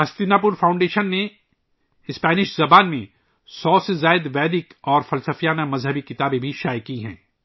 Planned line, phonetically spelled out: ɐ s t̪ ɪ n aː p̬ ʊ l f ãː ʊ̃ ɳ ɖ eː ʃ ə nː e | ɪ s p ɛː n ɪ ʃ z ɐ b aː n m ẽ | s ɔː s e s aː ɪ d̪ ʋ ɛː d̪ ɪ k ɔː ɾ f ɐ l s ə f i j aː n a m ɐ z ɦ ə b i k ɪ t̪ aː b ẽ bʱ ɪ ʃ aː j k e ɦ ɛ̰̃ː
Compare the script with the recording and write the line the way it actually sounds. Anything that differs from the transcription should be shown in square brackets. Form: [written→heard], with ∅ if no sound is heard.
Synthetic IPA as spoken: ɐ s t̪ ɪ n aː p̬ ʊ [l→ɾ] f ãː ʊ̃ ɳ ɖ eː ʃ ə nː e | ɪ s p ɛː n ɪ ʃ z ɐ b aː n m ẽ | s ɔː s e [s→z] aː ɪ d̪ ʋ ɛː d̪ ɪ k ɔː ɾ f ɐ l s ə f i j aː n a m ɐ z ɦ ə b i k ɪ t̪ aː b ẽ bʱ [ɪ→i] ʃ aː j k [e→i] ɦ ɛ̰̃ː

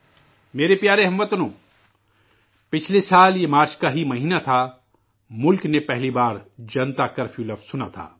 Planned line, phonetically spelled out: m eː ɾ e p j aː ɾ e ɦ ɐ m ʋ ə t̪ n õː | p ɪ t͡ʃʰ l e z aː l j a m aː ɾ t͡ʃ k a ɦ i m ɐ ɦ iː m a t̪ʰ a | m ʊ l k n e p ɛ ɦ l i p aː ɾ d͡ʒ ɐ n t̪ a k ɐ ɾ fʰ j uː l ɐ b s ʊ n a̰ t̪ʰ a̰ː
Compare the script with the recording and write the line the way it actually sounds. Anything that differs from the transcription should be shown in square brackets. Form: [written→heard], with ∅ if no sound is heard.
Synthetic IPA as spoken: m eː ɾ e p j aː ɾ e ɦ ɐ m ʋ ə t̪ n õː | p ɪ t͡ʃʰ l e [z→s] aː l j [a→e] m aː ɾ t͡ʃ k a ɦ i m ɐ ɦ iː [m→n] a t̪ʰ a | m ʊ l k n e p ɛ ɦ l i [p→b] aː ɾ d͡ʒ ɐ n t̪ a k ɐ ɾ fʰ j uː l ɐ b s ʊ n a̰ t̪ʰ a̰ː

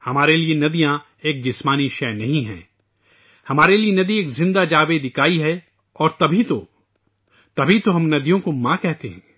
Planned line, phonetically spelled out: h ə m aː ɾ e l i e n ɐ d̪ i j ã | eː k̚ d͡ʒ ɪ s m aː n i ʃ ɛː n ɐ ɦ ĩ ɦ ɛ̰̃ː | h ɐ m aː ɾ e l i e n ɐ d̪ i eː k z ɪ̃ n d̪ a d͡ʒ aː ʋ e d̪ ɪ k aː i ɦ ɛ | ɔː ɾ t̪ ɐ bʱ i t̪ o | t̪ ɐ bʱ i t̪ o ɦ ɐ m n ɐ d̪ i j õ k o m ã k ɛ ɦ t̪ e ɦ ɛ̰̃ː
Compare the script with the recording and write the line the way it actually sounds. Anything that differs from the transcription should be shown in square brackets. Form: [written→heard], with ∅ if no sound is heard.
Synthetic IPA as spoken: h [ə→ɐ] m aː ɾ e l i e n ɐ d̪ i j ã | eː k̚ d͡ʒ ɪ s m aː n i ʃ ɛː n ɐ ɦ ĩ ɦ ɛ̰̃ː | h ɐ m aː ɾ e l i e n ɐ d̪ i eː k z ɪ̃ n d̪ a d͡ʒ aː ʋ e d̪ ɪ k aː i ɦ ɛ | ɔː ɾ t̪ ɐ bʱ i t̪ o | t̪ ɐ bʱ i t̪ o ɦ ɐ m n ɐ d̪ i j õ k o m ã k ɛ ɦ t̪ e ɦ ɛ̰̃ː

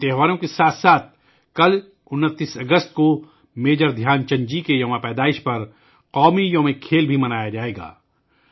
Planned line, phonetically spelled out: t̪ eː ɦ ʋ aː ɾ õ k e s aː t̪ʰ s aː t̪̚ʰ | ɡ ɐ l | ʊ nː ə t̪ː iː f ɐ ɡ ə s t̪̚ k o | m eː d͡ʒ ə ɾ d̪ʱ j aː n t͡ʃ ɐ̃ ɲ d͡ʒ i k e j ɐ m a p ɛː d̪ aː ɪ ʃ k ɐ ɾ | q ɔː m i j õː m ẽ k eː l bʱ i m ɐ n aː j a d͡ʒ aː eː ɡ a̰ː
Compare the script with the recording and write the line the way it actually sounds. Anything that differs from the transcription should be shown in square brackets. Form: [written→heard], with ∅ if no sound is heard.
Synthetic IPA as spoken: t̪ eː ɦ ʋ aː ɾ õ k e s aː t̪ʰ s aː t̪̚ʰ | [ɡ→k] ɐ l | ʊ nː ə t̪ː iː [f→s] ɐ ɡ ə s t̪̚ k o | m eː d͡ʒ ə ɾ d̪ʱ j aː n t͡ʃ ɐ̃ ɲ d͡ʒ i k e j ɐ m a p ɛː d̪ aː ɪ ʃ [k→p] ɐ ɾ | q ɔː m i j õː m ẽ [k→kʰ] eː l bʱ i m ɐ n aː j a d͡ʒ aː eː ɡ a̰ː

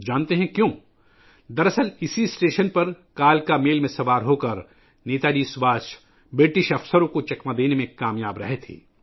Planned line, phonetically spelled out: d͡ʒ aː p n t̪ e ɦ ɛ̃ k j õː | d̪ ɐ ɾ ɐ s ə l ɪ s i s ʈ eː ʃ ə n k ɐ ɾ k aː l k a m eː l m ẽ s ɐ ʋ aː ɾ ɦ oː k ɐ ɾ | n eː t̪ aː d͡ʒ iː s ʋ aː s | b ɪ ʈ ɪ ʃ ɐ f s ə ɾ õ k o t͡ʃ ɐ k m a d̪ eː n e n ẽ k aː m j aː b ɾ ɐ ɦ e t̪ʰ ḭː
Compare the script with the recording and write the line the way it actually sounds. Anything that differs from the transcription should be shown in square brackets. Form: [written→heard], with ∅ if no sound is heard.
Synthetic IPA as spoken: d͡ʒ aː [p→∅] n t̪ e ɦ ɛ̃ k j õː | d̪ ɐ ɾ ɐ s ə l ɪ s i s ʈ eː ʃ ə n [k→p] ɐ ɾ k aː l k a m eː l m ẽ s ɐ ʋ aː ɾ ɦ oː k ɐ ɾ | n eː t̪ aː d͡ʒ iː s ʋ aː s | b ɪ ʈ ɪ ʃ ɐ f s ə ɾ õ k o t͡ʃ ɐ k m a d̪ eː n e [n→m] ẽ k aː m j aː b ɾ ɐ ɦ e t̪ʰ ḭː

